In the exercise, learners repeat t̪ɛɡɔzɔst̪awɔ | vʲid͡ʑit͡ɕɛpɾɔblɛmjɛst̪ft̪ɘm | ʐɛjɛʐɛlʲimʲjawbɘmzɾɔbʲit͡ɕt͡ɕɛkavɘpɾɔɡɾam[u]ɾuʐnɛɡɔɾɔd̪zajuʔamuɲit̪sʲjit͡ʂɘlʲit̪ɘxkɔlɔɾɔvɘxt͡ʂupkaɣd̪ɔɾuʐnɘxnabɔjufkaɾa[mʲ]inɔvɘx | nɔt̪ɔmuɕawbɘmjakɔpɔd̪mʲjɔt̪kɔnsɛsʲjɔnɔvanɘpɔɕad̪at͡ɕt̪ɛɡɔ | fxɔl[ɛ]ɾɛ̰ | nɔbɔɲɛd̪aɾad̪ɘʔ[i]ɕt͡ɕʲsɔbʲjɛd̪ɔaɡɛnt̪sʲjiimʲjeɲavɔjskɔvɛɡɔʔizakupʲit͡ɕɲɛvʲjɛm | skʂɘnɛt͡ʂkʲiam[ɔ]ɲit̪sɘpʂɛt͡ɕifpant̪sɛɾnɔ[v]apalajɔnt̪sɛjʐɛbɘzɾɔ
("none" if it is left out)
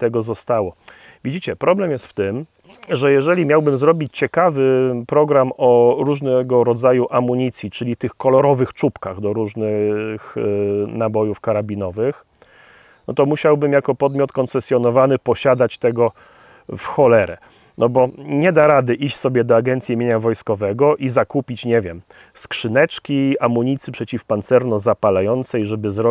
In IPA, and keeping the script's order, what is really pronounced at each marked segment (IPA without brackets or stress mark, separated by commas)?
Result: ɔ, bʲ, ɛ, i, u, z